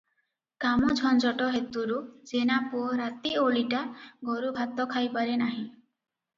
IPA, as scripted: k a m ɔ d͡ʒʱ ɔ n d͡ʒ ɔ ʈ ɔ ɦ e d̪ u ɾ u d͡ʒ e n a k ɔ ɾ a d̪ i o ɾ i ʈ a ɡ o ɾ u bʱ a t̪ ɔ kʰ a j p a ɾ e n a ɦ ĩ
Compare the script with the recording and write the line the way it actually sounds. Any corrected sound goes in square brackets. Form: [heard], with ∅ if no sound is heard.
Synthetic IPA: k a m ɔ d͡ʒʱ ɔ n d͡ʒ ɔ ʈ ɔ ɦ e [t̪] u ɾ u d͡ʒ e n a [p] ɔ ɾ a [t̪] i o [ɭ] i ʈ a ɡ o ɾ u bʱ a t̪ ɔ kʰ a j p a ɾ e n a ɦ ĩ